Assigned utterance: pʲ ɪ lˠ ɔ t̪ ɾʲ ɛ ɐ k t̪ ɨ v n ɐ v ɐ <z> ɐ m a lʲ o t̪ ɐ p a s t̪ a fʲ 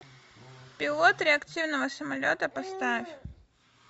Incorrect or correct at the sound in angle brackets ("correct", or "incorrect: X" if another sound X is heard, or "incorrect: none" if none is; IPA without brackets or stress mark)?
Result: incorrect: s